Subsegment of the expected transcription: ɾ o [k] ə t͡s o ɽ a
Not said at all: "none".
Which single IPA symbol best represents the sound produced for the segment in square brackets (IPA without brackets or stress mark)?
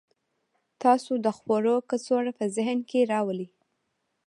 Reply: k